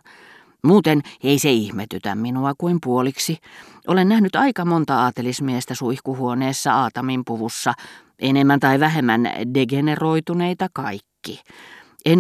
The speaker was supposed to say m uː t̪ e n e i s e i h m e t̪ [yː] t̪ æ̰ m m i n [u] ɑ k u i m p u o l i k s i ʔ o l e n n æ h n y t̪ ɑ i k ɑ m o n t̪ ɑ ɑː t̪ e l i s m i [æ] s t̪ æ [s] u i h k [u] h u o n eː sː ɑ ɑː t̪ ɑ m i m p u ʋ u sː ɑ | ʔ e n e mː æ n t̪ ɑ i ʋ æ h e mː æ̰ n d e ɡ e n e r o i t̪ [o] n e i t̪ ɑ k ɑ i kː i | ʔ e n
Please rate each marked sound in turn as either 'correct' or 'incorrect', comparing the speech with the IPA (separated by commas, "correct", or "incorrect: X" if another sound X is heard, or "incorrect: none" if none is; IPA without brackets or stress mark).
incorrect: y, correct, incorrect: e, correct, correct, incorrect: u